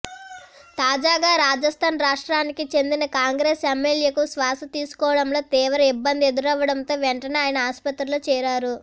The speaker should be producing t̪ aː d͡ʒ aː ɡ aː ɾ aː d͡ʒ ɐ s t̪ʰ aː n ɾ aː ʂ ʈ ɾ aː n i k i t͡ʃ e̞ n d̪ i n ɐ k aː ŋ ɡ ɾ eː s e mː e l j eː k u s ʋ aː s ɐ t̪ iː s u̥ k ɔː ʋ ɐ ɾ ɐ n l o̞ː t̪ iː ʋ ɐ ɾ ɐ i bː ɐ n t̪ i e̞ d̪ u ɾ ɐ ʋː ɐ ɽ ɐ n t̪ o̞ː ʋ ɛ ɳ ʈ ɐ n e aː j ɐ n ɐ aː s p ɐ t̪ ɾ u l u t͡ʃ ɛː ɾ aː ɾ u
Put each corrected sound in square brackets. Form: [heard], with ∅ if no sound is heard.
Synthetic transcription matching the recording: t̪ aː d͡ʒ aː ɡ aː ɾ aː d͡ʒ ɐ s t̪ʰ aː n ɾ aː ʂ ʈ ɾ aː n i k i t͡ʃ e̞ n d̪ i n ɐ k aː ŋ ɡ ɾ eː s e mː e l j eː k u s ʋ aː s ɐ t̪ iː s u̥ k ɔː ʋ ɐ [ɽ] ɐ [m] l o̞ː t̪ iː ʋ ɐ ɾ ɐ i bː ɐ n [d̪] i e̞ d̪ u ɾ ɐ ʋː ɐ ɽ ɐ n t̪ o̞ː ʋ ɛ ɳ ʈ ɐ n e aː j ɐ n ɐ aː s p ɐ t̪ ɾ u l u t͡ʃ ɛː ɾ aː ɾ u